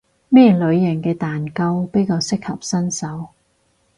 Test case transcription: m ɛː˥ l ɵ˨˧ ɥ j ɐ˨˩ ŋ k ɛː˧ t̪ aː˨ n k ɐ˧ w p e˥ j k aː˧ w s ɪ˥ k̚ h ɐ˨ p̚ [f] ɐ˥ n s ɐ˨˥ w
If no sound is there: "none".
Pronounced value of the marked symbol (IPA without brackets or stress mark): s